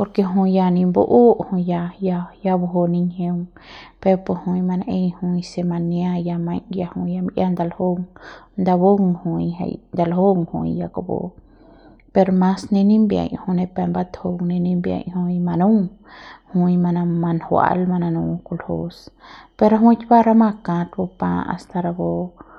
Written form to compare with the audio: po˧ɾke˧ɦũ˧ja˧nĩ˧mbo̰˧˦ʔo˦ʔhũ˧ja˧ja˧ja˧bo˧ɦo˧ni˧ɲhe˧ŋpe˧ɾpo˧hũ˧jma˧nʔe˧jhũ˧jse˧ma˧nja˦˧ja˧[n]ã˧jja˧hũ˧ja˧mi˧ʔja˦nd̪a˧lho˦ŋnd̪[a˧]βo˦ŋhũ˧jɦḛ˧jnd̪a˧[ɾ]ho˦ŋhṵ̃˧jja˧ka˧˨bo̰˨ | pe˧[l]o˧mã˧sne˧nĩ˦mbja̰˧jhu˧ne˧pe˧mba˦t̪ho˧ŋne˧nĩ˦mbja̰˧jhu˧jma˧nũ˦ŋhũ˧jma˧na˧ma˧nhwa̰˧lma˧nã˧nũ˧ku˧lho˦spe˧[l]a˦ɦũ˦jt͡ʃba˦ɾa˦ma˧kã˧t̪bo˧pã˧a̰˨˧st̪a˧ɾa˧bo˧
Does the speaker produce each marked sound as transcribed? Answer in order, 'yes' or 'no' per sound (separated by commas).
no, yes, no, no, no